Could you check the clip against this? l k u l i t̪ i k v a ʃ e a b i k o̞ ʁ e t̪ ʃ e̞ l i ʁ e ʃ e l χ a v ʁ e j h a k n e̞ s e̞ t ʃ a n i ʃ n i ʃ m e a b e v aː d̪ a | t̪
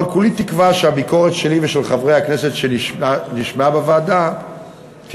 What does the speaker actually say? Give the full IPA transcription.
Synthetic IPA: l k u l i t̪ i k v a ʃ e a b i k o̞ ʁ e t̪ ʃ e̞ l i v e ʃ e l χ a v ʁ e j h a k n e̞ s e̞ t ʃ e n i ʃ n i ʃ m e a b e v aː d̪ a | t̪